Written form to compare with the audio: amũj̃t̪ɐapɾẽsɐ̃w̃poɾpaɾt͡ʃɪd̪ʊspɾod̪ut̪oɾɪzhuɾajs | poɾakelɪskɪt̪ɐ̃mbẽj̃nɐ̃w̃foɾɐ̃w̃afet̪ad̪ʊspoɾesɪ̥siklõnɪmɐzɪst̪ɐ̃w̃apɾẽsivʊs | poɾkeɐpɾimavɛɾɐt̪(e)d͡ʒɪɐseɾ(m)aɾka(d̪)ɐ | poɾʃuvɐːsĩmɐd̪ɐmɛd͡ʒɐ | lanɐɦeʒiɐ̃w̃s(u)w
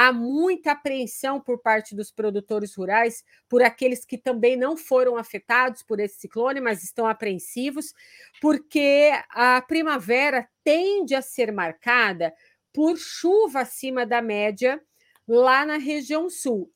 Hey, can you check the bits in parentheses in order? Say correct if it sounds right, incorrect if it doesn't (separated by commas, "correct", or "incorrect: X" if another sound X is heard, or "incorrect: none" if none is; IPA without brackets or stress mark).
incorrect: ẽ, correct, correct, correct